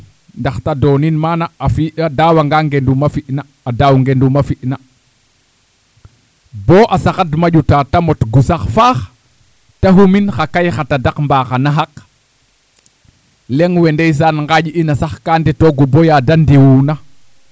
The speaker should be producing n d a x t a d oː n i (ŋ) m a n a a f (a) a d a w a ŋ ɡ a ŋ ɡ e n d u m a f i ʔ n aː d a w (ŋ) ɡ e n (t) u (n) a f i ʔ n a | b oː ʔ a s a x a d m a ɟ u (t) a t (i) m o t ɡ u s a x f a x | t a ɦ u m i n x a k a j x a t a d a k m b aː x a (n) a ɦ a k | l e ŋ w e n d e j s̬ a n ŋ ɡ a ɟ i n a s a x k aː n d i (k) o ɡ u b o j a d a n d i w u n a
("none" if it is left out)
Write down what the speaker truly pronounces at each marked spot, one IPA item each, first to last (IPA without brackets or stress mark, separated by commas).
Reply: n, i, ŋ, d, m, t, a, n, t